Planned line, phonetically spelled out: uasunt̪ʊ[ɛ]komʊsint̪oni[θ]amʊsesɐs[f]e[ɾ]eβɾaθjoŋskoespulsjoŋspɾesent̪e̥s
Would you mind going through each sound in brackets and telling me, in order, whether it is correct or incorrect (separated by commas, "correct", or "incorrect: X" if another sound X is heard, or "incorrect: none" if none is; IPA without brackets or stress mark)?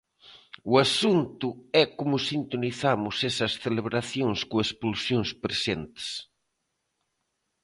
correct, correct, incorrect: θ, incorrect: l